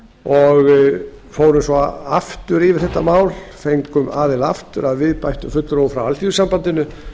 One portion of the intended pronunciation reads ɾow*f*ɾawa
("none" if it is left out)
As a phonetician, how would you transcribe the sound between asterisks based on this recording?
f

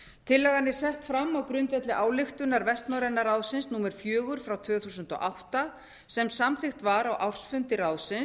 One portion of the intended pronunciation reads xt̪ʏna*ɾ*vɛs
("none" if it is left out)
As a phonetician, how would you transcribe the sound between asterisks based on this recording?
ɾ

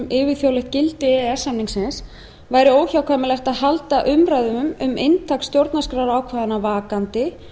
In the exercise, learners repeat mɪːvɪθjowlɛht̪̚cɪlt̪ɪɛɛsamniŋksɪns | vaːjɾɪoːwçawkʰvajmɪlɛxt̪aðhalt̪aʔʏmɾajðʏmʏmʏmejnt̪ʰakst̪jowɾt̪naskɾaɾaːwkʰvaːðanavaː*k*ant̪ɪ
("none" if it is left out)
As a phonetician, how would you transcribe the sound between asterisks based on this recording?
k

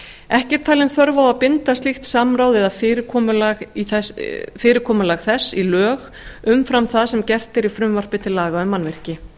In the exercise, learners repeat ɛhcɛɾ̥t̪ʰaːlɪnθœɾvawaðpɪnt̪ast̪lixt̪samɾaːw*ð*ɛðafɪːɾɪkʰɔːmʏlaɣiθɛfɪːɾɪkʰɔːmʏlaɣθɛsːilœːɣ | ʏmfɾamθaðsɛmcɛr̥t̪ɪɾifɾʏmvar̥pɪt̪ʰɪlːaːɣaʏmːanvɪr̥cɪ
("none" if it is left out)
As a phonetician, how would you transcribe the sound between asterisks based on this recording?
ð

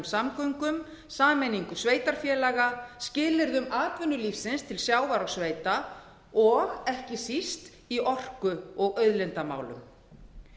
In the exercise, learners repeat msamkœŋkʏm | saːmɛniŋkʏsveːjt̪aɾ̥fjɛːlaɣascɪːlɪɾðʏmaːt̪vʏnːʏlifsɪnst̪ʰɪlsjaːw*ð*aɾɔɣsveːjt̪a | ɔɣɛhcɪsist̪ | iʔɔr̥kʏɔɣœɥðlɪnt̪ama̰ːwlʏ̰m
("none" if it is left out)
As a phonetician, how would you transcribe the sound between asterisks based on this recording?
v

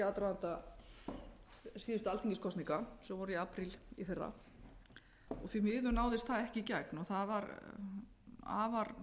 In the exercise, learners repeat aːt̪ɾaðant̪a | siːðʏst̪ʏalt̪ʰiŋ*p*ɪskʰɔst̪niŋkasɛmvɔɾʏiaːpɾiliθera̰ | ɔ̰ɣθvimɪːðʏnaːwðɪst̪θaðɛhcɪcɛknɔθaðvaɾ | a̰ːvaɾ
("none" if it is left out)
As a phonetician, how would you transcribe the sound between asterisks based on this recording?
c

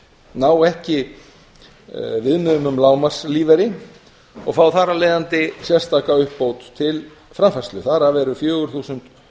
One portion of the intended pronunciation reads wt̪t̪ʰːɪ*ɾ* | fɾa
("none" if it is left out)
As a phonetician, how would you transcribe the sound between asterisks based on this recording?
l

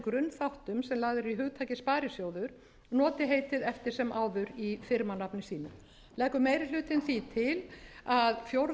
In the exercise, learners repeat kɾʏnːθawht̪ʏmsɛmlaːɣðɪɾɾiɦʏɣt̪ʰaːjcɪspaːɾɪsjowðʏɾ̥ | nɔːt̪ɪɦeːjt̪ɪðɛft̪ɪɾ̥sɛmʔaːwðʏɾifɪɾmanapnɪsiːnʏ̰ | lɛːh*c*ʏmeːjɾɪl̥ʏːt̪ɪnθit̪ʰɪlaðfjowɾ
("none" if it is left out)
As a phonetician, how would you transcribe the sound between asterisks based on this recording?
k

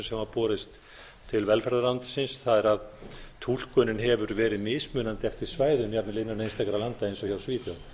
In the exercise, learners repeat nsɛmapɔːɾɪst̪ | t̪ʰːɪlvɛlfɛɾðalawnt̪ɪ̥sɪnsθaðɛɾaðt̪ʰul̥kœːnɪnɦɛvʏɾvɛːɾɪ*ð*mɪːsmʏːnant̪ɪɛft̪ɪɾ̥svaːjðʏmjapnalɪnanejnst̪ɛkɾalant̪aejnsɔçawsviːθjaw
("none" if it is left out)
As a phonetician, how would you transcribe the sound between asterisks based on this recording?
ð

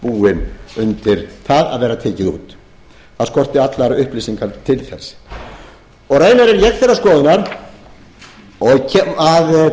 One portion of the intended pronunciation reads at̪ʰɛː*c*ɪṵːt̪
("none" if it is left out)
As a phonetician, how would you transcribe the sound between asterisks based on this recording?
c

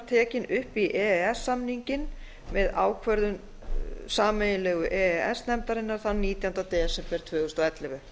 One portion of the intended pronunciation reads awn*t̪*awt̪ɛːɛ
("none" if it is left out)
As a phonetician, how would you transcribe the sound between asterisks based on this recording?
t̪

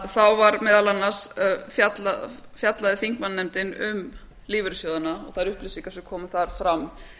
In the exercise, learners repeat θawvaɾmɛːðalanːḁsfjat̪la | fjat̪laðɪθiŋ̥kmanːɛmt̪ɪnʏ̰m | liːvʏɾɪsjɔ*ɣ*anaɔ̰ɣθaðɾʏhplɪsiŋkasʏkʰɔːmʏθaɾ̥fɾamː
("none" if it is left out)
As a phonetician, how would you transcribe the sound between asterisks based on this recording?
ð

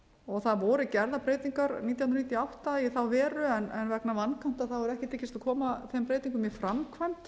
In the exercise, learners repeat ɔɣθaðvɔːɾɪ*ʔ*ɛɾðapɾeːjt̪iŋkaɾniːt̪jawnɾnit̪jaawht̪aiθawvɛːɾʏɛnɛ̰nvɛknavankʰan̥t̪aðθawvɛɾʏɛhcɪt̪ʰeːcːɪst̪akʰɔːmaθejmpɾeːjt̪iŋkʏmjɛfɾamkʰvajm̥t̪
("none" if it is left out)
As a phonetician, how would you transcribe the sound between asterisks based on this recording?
c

